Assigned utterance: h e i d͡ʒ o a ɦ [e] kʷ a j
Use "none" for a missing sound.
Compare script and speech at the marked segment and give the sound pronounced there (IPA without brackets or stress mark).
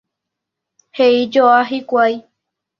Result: i